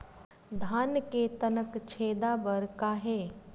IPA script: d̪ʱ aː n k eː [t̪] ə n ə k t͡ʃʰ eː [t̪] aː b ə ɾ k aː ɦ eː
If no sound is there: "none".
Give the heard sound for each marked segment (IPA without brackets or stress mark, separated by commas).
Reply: t̪, d̪